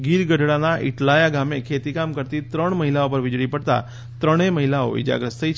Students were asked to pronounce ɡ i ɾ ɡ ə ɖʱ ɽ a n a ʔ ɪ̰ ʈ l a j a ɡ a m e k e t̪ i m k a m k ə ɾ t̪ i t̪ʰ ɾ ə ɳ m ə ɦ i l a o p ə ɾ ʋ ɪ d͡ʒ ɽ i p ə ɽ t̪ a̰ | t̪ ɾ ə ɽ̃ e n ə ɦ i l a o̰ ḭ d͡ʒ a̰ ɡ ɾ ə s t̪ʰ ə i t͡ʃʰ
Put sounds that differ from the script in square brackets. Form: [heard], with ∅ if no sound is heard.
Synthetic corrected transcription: ɡ i ɾ ɡ ə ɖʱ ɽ a n a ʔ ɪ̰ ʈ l a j a ɡ a m e [kʰ] e t̪ i [∅] k a m k ə ɾ t̪ i [t̪] ɾ ə ɳ m ə ɦ i l a o p ə ɾ ʋ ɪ d͡ʒ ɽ i p ə ɽ t̪ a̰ | t̪ ɾ ə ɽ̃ e [m] ə ɦ i l a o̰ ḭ d͡ʒ a̰ ɡ ɾ ə s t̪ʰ ə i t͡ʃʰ